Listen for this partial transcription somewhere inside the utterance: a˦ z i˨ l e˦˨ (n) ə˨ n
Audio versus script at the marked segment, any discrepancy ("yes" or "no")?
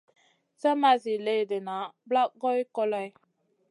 yes